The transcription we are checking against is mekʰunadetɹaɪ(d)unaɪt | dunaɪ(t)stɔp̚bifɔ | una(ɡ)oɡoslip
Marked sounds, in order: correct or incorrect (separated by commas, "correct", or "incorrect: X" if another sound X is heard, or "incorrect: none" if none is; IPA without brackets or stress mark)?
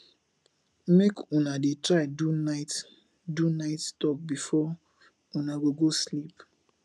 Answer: correct, correct, correct